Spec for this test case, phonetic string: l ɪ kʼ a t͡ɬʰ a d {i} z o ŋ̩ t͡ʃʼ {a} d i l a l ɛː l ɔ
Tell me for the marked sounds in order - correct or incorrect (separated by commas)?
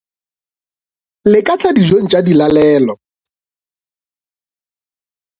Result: correct, correct